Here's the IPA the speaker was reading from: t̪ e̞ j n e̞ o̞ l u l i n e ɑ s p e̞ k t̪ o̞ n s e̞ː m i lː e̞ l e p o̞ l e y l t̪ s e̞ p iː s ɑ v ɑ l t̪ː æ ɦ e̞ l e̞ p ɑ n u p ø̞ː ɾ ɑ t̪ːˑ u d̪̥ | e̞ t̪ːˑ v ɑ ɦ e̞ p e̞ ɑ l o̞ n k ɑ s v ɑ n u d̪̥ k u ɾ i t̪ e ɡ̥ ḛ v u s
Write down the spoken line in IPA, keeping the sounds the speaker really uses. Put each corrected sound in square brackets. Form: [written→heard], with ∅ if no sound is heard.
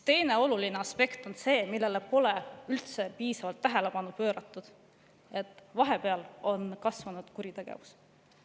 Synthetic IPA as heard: t̪ e̞ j n e̞ o̞ l u l i n e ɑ s p e̞ k t̪ o̞ n s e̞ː m i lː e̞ l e p o̞ l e y l t̪ s e̞ p iː s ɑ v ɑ l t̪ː æ ɦ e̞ l e̞ p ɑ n u p ø̞ː ɾ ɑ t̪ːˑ u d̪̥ | e̞ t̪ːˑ v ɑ ɦ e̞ p e̞ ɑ l o̞ n k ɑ s v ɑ n u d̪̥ k u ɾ i t̪ e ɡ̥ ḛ v u s